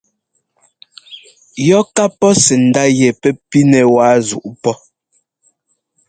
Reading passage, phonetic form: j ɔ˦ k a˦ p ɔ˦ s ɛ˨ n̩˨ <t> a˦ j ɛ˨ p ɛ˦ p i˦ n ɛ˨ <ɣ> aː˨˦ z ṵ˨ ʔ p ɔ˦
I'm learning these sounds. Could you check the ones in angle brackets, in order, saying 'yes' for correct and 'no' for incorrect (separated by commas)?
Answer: no, no